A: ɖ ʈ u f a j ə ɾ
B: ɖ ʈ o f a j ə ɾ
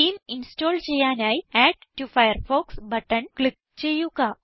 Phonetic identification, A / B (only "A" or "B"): A